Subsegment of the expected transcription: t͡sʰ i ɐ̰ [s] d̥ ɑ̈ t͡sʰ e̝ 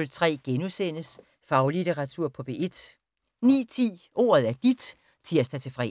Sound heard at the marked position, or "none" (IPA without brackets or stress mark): s